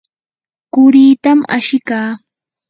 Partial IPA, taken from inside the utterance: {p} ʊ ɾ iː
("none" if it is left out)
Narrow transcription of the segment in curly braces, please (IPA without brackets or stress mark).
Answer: k